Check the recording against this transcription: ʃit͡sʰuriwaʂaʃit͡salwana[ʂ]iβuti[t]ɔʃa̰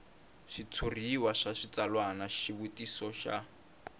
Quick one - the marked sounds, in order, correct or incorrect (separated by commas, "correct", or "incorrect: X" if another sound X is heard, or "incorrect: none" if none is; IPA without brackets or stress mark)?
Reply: incorrect: ʃ, incorrect: s